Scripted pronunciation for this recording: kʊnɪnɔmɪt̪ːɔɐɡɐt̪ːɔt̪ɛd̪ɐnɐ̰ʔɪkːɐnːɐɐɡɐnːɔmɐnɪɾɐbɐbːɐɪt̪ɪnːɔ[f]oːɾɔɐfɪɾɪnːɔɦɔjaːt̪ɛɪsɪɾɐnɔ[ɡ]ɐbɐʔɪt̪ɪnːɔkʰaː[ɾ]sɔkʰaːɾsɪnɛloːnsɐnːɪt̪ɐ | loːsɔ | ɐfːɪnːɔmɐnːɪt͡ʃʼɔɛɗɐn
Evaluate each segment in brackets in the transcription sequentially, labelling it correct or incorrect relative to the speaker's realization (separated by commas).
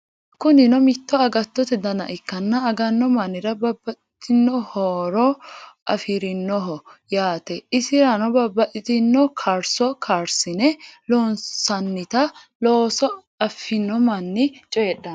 incorrect, incorrect, correct